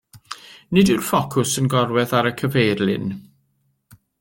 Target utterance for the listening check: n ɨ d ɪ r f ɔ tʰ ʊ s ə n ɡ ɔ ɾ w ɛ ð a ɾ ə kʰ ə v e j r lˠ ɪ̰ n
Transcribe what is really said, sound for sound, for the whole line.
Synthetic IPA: n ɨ d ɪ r f ɔ kʰ ʊ s ə n ɡ ɔ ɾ w ɛ ð a ɾ ə kʰ ə v e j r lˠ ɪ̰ n